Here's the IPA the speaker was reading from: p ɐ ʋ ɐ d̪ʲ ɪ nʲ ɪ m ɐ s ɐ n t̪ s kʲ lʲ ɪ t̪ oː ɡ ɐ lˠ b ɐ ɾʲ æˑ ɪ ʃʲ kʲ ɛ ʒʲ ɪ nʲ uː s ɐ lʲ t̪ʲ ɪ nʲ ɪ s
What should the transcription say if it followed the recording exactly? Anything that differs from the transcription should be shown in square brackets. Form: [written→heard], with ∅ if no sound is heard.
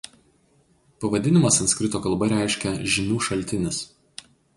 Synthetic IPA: p ɐ ʋ ɐ d̪ʲ ɪ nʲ ɪ m ɐ s ɐ n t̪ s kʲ [lʲ→ɾʲ] ɪ t̪ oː [ɡ→k] ɐ lˠ b ɐ ɾʲ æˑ ɪ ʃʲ kʲ ɛ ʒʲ ɪ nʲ uː [s→ʃ] ɐ lʲ t̪ʲ ɪ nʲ ɪ s

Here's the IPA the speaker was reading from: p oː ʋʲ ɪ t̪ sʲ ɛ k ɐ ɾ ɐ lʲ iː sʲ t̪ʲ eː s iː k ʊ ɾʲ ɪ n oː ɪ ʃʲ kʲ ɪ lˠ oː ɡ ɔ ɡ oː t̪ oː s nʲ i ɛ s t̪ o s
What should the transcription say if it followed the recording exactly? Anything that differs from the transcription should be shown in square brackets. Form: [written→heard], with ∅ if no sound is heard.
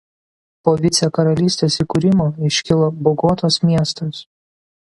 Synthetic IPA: p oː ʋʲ ɪ t̪ sʲ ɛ k ɐ ɾ ɐ lʲ iː sʲ t̪ʲ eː s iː k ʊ ɾʲ ɪ [n→m] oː ɪ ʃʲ kʲ ɪ lˠ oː [ɡ→b] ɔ ɡ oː t̪ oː s [nʲ→mʲ] i ɛ s t̪ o s

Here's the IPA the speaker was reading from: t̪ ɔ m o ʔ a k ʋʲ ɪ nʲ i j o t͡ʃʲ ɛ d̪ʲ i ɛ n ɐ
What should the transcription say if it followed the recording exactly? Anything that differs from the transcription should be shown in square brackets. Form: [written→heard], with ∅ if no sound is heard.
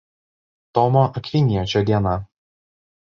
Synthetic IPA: t̪ ɔ m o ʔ [a→ɐ] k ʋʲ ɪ nʲ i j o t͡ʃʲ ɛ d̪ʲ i ɛ n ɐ

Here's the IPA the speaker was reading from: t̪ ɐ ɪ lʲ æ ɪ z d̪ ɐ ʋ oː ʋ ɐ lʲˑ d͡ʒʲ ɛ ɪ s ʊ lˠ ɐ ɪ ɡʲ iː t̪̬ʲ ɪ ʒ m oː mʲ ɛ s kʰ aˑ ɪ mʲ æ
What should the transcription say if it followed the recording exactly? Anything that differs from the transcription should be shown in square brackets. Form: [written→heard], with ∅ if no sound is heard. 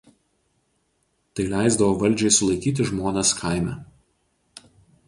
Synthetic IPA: t̪ ɐ ɪ lʲ æ ɪ z d̪ ɐ ʋ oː ʋ ɐ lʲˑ d͡ʒʲ ɛ ɪ s ʊ lˠ ɐ ɪ [ɡʲ→kʲ] iː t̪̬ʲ ɪ ʒ m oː [mʲ→nʲ] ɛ s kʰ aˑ ɪ mʲ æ

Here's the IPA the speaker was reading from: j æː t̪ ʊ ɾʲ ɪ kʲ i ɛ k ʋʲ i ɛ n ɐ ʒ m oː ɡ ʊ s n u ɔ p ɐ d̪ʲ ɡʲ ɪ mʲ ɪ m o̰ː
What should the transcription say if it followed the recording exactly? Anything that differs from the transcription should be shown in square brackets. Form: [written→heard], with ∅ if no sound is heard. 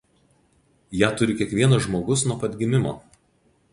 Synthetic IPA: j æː t̪ ʊ ɾʲ ɪ kʲ i ɛ k ʋʲ i ɛ n ɐ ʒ m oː ɡ ʊ s n u ɔ p ɐ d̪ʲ ɡʲ ɪ mʲ ɪ m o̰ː

